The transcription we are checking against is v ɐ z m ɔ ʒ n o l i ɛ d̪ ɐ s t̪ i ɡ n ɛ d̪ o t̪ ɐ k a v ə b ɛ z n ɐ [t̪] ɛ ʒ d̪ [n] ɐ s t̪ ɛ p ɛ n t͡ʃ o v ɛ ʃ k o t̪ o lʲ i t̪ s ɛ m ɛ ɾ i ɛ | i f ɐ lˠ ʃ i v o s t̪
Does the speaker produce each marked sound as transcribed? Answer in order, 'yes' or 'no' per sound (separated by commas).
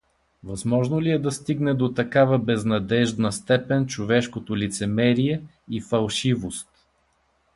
no, yes